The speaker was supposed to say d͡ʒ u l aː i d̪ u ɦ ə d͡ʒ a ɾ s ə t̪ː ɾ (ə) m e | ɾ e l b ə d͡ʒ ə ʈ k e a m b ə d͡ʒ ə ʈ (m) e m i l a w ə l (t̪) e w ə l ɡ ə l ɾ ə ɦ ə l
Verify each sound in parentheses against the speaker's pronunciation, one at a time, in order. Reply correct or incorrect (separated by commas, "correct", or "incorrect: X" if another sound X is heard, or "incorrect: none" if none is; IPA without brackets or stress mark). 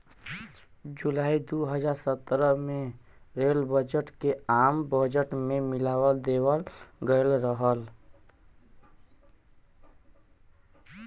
correct, correct, incorrect: d̪